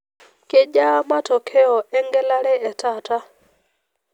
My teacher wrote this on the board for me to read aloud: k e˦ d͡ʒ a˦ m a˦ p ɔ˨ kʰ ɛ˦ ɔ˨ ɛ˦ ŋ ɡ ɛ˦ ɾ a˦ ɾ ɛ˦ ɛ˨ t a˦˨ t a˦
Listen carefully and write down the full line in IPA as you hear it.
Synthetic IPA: k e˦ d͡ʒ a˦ m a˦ t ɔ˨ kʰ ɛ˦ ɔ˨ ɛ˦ ŋ ɡ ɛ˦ l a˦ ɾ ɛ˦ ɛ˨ t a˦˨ t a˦